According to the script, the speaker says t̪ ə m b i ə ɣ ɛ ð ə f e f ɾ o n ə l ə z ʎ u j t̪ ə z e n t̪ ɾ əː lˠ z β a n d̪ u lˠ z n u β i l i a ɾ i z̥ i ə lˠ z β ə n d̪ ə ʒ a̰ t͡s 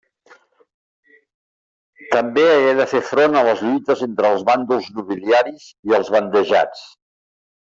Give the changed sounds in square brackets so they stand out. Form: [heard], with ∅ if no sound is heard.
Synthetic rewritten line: t̪ ə m b [e] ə ɣ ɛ ð ə f e f ɾ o n ə l ə z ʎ u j t̪ ə z e n t̪ ɾ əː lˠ z β a n d̪ u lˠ z n u β i l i a ɾ i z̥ i ə lˠ z β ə n d̪ ə ʒ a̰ t͡s